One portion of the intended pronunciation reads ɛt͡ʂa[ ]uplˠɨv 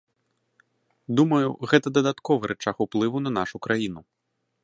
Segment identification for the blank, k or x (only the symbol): x